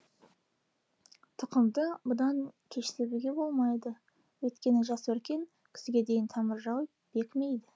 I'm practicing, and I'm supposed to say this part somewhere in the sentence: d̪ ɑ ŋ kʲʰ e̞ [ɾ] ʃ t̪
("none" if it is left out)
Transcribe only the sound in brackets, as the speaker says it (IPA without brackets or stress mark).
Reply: none